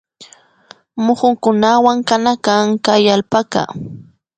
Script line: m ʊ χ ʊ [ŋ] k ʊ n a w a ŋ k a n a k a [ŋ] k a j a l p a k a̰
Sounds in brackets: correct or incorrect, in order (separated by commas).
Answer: correct, correct